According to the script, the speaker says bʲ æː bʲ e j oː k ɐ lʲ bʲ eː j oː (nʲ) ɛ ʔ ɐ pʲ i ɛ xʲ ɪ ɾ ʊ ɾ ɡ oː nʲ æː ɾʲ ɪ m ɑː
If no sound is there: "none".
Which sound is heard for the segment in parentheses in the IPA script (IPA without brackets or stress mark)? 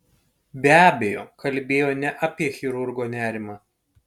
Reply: nʲ